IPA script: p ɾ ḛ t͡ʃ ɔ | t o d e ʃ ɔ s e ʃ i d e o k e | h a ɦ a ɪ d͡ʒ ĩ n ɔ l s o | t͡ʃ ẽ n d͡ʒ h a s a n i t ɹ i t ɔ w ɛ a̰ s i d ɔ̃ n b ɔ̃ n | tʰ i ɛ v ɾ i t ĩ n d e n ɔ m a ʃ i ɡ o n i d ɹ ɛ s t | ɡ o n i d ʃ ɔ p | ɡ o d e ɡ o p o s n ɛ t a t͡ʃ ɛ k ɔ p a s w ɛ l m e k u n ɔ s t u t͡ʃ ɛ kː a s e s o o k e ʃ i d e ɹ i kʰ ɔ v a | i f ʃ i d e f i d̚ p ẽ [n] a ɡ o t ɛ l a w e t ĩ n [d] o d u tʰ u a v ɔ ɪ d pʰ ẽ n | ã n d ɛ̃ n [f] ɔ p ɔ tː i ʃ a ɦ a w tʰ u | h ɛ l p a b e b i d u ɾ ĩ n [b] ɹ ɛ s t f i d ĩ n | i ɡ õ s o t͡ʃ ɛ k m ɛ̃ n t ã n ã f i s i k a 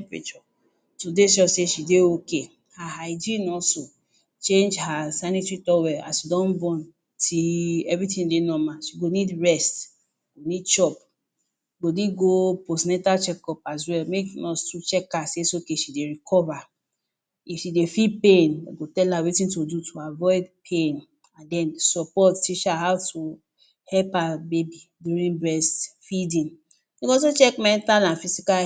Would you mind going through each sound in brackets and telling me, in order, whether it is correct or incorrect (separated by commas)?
correct, incorrect, incorrect, correct